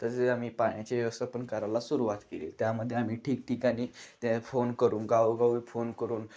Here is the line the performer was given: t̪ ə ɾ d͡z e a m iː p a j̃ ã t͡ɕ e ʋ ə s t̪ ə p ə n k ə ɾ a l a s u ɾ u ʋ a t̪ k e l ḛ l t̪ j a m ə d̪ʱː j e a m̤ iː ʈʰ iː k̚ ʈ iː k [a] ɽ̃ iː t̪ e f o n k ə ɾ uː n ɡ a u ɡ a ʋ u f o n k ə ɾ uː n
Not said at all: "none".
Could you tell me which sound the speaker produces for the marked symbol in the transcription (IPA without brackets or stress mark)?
a